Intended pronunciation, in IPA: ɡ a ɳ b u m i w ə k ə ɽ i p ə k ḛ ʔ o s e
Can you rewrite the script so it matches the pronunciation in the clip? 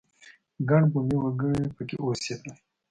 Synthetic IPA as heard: ɡ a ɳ b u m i w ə ɡ ə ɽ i p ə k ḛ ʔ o s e